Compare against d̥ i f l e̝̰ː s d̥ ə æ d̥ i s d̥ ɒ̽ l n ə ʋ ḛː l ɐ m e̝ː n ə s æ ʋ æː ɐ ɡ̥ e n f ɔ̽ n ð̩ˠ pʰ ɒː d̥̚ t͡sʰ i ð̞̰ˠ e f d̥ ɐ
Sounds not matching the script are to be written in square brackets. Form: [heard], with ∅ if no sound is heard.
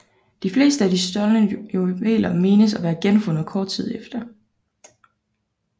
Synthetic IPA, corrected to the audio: d̥ i f l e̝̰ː s d̥ ə æ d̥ i s d̥ ɒ̽ l n ə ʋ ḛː l ɐ m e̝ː n ə s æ ʋ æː ɐ ɡ̥ e n f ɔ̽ n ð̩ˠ [kʰ] ɒː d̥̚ t͡sʰ i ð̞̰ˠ e f d̥ ɐ